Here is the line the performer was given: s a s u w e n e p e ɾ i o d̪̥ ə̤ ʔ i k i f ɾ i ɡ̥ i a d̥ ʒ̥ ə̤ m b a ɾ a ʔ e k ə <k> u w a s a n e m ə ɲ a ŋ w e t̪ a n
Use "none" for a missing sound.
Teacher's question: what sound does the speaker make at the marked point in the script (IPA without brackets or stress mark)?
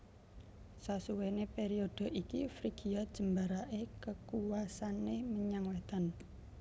k